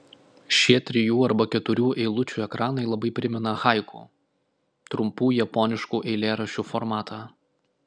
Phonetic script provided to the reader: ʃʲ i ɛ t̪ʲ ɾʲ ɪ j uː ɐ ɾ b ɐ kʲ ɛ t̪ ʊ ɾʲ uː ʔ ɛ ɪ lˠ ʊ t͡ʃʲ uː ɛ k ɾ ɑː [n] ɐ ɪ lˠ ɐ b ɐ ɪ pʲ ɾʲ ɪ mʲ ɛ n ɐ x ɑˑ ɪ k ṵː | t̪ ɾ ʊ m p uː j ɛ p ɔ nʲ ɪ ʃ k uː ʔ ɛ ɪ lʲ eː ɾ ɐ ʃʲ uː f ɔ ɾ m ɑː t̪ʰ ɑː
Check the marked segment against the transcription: correct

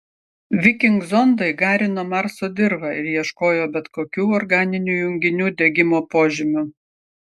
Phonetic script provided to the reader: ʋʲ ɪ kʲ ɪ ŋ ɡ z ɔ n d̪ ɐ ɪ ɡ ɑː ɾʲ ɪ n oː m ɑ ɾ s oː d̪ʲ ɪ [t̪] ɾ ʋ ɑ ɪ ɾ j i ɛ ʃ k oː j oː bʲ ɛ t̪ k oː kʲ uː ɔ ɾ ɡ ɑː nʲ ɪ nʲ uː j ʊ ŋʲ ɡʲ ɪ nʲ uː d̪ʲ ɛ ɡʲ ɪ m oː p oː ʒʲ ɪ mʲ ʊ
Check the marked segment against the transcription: incorrect: none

